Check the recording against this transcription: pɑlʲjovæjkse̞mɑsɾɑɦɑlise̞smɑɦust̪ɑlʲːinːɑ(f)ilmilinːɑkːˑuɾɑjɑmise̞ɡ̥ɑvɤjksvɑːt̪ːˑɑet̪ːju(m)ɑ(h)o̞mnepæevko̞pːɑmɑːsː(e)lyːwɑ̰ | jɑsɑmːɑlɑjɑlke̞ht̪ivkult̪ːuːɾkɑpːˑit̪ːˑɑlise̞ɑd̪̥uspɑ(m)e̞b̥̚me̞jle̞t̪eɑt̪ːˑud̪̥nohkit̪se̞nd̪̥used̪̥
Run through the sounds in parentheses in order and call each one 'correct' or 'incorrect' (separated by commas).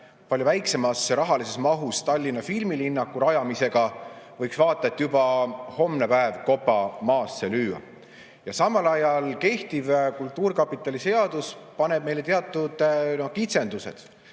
correct, incorrect, correct, correct, incorrect